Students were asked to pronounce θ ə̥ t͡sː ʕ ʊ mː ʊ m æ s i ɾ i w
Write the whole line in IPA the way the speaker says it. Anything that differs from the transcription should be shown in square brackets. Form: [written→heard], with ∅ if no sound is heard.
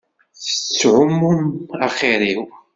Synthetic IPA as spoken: θ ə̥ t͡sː ʕ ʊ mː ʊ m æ [s→χ] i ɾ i w